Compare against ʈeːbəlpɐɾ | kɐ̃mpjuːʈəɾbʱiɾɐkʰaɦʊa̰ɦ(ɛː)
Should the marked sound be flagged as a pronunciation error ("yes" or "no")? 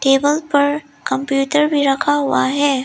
no